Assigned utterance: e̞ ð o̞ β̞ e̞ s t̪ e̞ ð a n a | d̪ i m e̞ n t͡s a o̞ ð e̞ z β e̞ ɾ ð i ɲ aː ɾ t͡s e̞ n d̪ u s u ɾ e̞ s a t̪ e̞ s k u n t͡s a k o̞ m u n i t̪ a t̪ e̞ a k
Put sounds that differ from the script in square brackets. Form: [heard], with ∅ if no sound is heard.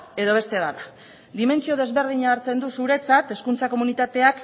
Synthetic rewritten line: e̞ ð o̞ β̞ e̞ s t̪ e̞ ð a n a | d̪ i m e̞ n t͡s [i] o̞ ð e̞ z β e̞ ɾ ð i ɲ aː ɾ t͡s e̞ n d̪ u s u ɾ e̞ [t͡s] a t̪ e̞ s k u n t͡s a k o̞ m u n i t̪ a t̪ e̞ a k